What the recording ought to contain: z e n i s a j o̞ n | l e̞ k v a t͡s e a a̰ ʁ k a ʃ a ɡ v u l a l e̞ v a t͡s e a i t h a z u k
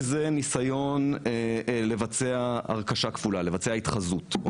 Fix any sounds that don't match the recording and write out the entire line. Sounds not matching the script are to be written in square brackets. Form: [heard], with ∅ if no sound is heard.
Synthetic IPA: z e n i s a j o̞ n | l e̞ [∅] v a t͡s e a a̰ ʁ k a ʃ a [k] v u l a l e̞ v a t͡s e a i t [χ] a z u [t]